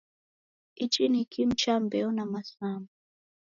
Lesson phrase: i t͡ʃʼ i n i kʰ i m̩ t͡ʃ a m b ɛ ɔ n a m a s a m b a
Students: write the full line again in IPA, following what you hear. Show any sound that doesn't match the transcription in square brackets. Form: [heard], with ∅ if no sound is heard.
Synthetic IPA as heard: i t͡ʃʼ i n i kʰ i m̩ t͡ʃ a m b ɛ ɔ n a m a s a m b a